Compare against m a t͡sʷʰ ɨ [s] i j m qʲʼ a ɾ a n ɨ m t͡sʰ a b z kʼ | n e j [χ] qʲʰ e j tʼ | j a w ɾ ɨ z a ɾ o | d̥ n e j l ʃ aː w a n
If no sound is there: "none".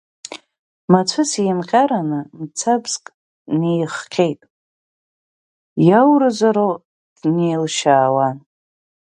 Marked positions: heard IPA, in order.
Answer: s, χ

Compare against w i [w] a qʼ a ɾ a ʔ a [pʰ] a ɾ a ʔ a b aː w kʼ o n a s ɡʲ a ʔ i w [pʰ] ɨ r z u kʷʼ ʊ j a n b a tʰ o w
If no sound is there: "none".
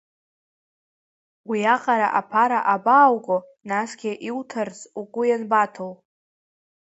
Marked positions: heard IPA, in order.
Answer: none, pʰ, tʰ

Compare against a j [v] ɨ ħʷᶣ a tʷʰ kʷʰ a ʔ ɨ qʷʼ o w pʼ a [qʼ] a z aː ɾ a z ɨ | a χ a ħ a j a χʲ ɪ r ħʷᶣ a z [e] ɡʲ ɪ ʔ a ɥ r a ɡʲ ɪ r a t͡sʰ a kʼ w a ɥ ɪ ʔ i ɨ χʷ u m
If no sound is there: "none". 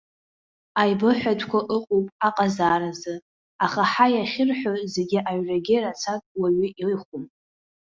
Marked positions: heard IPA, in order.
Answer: b, qʼ, e

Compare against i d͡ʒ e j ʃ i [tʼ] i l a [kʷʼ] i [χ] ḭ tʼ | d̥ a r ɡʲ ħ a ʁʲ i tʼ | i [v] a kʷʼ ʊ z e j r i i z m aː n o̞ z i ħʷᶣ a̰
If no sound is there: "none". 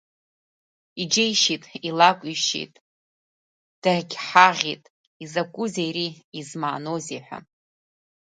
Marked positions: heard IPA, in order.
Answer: tʼ, kʷʼ, ʃ, z

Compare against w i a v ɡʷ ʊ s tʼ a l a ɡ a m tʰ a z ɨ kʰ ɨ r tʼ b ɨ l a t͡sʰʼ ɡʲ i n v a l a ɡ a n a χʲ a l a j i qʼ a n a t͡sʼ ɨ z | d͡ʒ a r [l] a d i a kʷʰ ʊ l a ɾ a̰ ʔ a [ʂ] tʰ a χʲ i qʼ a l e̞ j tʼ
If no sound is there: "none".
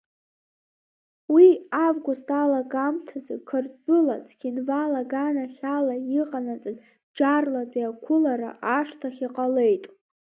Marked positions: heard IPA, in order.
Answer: l, ʂ

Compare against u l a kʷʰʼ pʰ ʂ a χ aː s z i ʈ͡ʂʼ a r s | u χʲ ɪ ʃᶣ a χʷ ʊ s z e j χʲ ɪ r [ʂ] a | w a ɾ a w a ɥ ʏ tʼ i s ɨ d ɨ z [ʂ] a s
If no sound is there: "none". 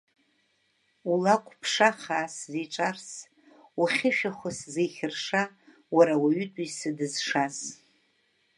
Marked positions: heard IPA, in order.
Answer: ʂ, ʂ

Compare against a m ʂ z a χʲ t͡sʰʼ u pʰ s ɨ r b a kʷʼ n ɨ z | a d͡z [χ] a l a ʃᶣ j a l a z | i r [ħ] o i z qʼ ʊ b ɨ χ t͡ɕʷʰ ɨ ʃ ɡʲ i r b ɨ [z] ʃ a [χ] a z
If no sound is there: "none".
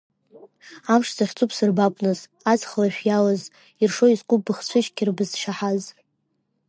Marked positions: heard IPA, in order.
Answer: χ, ʂ, z, ħ

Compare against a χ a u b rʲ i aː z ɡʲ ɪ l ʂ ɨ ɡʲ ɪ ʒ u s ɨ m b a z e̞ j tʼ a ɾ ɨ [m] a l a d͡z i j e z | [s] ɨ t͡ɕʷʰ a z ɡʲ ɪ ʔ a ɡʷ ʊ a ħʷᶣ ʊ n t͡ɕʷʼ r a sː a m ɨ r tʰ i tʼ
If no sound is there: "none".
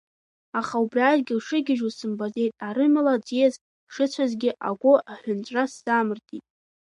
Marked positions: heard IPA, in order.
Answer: m, ʂ

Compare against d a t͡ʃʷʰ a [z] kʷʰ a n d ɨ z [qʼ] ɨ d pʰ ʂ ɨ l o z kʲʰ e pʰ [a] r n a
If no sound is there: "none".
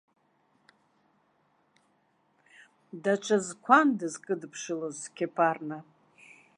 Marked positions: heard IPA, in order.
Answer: z, kʼ, a

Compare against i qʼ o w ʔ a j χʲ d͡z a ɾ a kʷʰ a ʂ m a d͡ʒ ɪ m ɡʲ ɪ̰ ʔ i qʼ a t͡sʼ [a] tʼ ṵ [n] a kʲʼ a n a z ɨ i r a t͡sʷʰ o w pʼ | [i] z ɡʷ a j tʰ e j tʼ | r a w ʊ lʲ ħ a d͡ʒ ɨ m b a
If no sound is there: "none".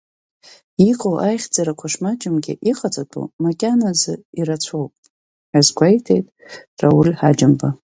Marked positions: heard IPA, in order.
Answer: a, m, a

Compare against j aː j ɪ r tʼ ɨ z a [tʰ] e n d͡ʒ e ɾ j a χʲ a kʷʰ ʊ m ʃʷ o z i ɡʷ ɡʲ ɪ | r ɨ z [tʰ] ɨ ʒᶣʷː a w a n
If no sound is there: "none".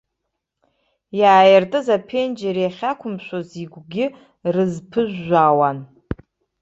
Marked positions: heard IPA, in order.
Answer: pʰ, pʰ

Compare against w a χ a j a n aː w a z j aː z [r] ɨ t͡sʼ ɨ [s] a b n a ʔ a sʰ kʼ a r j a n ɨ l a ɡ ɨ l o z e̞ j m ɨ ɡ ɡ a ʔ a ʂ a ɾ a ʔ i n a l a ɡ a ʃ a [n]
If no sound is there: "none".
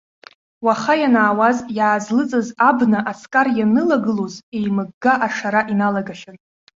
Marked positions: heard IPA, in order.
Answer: l, z, n

